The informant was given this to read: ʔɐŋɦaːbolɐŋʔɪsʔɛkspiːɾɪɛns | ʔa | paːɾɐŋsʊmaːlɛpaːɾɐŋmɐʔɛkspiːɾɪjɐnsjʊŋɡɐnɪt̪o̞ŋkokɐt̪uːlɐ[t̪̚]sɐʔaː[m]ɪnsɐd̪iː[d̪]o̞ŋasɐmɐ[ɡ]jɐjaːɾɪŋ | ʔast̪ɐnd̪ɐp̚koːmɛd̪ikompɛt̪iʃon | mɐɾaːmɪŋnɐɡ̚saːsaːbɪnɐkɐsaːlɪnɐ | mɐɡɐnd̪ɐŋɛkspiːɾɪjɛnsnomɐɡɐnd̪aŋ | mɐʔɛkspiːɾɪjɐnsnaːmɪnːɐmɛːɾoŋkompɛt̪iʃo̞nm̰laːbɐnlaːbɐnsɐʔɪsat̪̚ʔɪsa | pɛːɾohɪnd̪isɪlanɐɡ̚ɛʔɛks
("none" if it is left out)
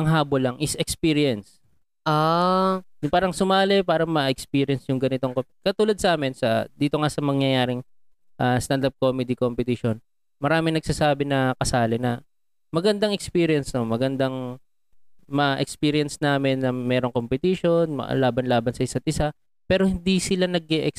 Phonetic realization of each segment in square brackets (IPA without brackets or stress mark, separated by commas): d̪̚, m, t̪, ŋ